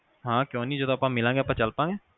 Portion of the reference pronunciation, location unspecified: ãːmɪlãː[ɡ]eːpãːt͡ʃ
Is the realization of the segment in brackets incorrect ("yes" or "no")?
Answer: no